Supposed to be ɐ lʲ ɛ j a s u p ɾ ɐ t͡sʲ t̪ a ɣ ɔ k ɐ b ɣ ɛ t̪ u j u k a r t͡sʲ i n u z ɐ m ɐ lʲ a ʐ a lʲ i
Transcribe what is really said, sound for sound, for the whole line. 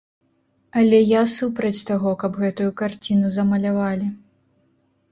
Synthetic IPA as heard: ɐ lʲ ɛ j a s u p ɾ ɐ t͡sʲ t̪ a ɣ ɔ k ɐ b ɣ ɛ t̪ u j u k a r t͡sʲ i n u z ɐ m ɐ lʲ a v a lʲ i